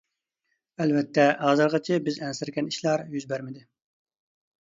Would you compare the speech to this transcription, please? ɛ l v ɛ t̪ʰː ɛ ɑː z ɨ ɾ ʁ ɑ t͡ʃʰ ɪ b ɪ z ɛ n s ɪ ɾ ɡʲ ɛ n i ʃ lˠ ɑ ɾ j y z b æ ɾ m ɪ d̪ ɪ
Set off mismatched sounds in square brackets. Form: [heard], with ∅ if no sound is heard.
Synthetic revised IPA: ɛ l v ɛ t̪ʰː ɛ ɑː z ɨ ɾ ʁ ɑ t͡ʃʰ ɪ b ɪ z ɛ n s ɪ ɾ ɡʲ ɛ n i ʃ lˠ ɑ ɾ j y z b æ ɾ m ɪ d̪ ɪ